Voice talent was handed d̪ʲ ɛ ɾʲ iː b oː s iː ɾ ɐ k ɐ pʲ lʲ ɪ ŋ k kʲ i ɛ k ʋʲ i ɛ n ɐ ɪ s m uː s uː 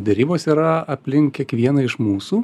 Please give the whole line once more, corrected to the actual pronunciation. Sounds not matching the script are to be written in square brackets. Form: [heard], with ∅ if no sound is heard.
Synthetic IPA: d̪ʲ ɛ ɾʲ iː b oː s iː ɾ ɐ [∅] ɐ pʲ lʲ ɪ ŋ k kʲ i ɛ k ʋʲ i ɛ n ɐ ɪ [ʃ] m uː s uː